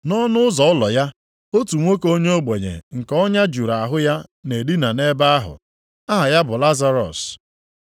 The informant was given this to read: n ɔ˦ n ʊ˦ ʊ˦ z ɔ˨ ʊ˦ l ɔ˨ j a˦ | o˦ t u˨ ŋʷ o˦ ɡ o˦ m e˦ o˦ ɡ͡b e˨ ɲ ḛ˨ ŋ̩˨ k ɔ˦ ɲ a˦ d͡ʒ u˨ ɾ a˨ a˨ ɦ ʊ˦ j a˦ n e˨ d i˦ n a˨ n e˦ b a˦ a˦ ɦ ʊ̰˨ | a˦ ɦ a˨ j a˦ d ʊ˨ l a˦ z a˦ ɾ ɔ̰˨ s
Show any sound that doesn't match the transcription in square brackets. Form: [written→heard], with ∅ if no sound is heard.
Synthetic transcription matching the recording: n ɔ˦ n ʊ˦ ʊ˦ z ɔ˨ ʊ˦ l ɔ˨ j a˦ | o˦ t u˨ ŋʷ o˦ [ɡ→k] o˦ [m→ɲ] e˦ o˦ ɡ͡b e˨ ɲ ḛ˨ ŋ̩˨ k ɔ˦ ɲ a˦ d͡ʒ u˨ ɾ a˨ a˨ ɦ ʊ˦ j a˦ n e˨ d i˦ n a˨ n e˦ b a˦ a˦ ɦ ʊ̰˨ | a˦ ɦ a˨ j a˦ [d→b] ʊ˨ l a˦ z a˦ ɾ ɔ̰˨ s